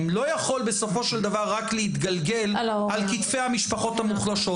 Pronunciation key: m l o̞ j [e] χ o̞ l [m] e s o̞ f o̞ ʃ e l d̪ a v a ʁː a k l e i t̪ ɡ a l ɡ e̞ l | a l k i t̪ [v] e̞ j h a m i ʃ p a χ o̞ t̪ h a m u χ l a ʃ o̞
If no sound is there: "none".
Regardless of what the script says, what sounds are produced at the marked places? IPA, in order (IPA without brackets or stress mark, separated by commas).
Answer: a, b, f